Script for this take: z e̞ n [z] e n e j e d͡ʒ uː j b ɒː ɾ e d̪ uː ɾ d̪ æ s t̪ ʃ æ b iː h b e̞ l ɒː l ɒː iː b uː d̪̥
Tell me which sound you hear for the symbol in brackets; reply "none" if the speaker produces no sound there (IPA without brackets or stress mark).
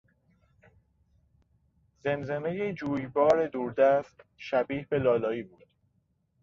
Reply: z